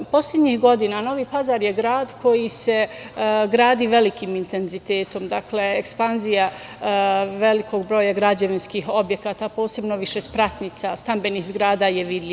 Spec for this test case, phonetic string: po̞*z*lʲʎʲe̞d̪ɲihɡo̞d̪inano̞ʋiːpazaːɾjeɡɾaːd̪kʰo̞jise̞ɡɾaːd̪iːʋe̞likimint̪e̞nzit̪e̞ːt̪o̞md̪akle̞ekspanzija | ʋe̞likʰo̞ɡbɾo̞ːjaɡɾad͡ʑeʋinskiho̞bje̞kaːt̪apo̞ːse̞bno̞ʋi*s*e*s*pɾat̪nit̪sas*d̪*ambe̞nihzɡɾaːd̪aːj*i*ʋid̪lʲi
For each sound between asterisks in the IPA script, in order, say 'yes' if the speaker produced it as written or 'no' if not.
no, no, yes, no, no

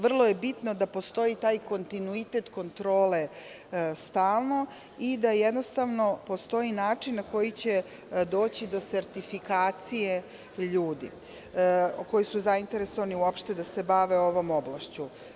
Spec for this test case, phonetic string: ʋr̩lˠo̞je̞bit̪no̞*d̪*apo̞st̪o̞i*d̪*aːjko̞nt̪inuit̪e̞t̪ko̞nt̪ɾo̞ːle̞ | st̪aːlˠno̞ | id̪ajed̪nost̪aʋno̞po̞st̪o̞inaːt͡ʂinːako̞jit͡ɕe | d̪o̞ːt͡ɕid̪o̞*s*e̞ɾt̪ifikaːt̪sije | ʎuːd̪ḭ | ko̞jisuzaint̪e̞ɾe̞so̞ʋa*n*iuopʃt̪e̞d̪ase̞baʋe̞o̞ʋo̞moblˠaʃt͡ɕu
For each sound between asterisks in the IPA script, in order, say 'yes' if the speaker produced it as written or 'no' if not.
yes, no, yes, yes

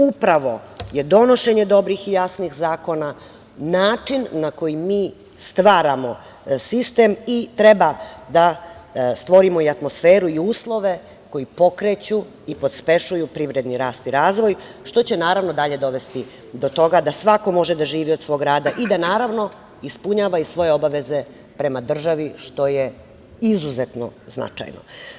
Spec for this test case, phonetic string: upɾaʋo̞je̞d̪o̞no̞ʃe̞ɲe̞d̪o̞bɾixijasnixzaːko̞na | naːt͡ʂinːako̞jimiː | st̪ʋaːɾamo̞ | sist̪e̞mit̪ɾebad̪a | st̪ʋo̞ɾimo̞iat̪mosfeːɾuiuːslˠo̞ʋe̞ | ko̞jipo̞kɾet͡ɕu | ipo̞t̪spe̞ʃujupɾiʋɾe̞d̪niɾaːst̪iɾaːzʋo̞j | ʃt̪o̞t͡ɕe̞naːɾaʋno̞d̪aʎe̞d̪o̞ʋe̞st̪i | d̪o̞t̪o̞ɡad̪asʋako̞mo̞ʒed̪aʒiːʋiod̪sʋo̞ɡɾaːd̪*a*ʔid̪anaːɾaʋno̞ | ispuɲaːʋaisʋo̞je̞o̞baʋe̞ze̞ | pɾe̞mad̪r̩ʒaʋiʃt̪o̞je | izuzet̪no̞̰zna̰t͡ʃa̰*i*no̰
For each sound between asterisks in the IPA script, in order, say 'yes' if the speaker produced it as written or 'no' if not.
yes, no

